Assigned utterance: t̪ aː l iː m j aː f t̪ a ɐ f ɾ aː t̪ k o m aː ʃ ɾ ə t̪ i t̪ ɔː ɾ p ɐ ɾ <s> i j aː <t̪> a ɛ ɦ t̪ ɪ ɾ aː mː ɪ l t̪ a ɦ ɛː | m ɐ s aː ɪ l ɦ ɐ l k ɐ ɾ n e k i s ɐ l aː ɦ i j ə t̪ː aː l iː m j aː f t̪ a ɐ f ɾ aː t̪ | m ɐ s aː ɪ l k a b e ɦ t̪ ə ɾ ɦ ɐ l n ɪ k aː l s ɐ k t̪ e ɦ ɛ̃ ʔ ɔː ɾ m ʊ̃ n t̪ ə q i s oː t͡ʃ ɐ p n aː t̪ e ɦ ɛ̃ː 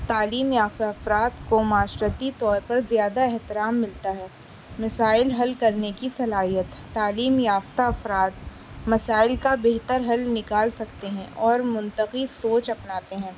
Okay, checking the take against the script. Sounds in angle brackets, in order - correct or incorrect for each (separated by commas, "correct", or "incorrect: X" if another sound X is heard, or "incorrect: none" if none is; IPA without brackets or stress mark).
incorrect: z, incorrect: d̪